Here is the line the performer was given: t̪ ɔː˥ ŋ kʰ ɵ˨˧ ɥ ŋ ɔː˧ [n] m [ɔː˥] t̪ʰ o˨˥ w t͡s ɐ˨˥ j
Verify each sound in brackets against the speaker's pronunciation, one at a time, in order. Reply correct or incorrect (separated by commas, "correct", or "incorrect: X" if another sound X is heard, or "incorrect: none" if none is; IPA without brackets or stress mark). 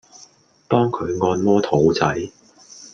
correct, correct